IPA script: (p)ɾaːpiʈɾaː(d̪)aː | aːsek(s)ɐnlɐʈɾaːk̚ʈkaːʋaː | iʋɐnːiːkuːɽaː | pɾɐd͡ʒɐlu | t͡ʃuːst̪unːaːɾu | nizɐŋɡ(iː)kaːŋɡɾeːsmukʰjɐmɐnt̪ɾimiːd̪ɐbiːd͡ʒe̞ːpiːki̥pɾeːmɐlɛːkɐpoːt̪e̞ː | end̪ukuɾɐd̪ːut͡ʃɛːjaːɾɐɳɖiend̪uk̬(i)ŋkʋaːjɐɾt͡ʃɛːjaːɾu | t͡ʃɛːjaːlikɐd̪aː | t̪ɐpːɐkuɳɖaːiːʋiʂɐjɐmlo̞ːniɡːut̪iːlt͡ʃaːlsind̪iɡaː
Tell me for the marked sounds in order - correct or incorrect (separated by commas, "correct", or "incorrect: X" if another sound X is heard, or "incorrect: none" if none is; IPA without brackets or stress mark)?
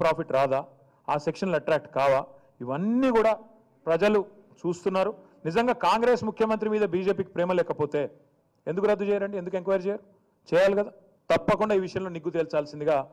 correct, correct, incorrect: ʂ, incorrect: aː, incorrect: e